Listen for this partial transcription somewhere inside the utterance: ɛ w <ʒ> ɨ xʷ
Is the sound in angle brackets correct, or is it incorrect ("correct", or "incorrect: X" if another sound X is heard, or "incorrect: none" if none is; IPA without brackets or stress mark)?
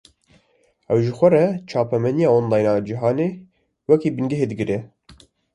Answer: correct